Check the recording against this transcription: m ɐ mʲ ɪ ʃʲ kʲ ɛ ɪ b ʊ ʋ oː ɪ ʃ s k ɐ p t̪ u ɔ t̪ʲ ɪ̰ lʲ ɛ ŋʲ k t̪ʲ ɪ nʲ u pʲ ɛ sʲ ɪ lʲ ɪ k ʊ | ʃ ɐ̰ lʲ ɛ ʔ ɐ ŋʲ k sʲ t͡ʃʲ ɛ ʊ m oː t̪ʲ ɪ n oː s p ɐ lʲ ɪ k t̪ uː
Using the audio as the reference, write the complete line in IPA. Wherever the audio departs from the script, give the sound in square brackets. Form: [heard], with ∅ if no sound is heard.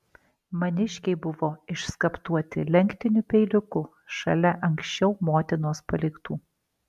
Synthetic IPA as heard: m ɐ [nʲ] ɪ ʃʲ kʲ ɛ ɪ b ʊ ʋ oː ɪ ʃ s k ɐ p t̪ u ɔ t̪ʲ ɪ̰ lʲ ɛ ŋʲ k t̪ʲ ɪ nʲ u pʲ ɛ [∅] ɪ lʲ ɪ k ʊ | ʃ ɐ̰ lʲ ɛ ʔ ɐ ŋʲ k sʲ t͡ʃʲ ɛ ʊ m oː t̪ʲ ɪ n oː s p ɐ lʲ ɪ k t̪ uː

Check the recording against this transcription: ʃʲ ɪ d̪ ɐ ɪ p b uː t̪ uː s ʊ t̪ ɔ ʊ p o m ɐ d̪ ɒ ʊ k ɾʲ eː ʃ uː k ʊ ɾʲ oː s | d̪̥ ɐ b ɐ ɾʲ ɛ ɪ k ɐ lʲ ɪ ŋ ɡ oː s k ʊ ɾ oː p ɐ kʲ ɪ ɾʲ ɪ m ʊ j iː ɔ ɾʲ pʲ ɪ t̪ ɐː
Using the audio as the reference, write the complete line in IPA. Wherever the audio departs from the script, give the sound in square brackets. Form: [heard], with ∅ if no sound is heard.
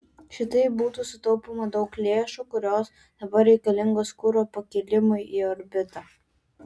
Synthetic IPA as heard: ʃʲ ɪ [t̪] ɐ ɪ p b uː t̪ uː s ʊ t̪ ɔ ʊ p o m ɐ d̪ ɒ ʊ k [lʲ] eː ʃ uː k ʊ ɾʲ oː s | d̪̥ ɐ b ɐ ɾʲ ɛ ɪ k ɐ lʲ ɪ ŋ ɡ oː s k ʊ ɾ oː p ɐ kʲ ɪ [lʲ] ɪ m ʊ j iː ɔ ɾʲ [bʲ] ɪ t̪ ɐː

